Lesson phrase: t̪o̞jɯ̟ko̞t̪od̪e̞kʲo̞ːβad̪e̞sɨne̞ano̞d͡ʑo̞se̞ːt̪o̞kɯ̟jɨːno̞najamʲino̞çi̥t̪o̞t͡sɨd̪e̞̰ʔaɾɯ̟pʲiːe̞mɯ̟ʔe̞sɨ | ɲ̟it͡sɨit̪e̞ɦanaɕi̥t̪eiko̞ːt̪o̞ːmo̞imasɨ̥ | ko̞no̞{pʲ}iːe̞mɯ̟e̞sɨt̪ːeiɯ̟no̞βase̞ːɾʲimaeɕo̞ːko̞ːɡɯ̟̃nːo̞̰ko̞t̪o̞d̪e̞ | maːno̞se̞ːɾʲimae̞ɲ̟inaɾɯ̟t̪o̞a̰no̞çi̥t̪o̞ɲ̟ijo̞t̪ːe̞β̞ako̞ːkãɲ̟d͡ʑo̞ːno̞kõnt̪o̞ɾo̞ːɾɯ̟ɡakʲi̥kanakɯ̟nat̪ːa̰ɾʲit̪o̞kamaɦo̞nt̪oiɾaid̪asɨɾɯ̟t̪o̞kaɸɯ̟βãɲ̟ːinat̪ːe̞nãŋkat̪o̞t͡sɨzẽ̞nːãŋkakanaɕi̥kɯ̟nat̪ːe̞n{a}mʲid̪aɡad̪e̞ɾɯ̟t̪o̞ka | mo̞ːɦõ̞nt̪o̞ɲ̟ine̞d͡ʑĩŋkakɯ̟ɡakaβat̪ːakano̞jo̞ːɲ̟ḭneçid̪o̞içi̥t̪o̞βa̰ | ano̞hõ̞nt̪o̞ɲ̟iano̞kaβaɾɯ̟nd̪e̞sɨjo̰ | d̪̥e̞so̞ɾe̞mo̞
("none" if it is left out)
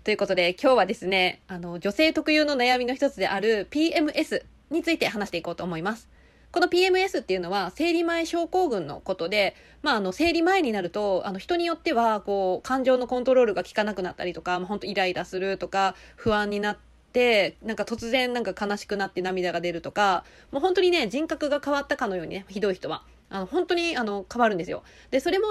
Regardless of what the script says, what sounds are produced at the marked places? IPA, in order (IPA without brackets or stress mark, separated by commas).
pʲ, a